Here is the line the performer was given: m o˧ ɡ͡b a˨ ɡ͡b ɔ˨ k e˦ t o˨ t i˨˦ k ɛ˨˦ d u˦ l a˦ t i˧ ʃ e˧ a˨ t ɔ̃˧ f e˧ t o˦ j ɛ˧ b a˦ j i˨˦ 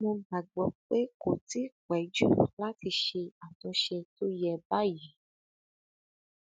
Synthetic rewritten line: m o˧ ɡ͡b a˨ ɡ͡b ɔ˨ k͡p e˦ k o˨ t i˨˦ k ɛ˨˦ d͡ʒ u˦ l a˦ t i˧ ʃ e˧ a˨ t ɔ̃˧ ʃ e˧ t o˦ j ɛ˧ b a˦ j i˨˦